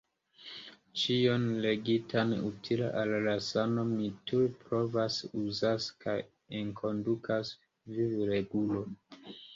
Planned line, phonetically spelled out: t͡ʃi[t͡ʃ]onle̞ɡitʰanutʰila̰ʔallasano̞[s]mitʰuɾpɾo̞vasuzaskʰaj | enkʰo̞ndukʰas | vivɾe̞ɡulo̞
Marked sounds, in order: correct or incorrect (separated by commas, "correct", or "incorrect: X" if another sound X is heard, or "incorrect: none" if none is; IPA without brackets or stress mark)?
incorrect: none, incorrect: none